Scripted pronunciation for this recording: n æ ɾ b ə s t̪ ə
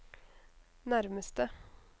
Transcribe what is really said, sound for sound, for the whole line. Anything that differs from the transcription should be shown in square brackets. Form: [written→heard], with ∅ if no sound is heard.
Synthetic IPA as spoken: n æ ɾ [b→m] ə s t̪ ə